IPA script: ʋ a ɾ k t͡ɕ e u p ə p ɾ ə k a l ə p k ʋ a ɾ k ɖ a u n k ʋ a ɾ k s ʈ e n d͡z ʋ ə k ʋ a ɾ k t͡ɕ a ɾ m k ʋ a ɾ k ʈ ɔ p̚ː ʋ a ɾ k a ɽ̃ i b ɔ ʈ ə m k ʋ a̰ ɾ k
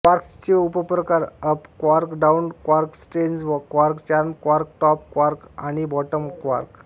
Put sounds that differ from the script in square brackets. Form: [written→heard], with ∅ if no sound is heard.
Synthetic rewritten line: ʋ a ɾ k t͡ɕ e u p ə p ɾ ə k a [l→ɾ] ə p k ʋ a ɾ k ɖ a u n k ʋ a ɾ k s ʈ e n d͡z ʋ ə k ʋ a ɾ k t͡ɕ a ɾ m k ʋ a ɾ k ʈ ɔ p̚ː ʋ a ɾ k a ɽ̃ i b ɔ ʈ ə m k ʋ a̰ ɾ k